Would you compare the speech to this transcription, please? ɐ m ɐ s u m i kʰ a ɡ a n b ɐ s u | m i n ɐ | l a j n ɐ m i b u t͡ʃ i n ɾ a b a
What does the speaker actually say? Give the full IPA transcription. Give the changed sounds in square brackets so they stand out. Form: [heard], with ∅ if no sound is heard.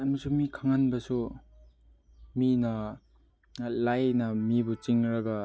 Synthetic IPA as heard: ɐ m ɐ s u m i kʰ a [ŋ] a n b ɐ s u | m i n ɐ | l a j n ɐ m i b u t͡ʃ i [ŋ] ɾ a [ɡ] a